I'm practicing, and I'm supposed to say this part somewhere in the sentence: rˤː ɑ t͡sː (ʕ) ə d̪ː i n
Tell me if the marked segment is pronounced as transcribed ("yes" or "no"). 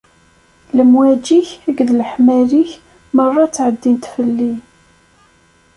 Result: yes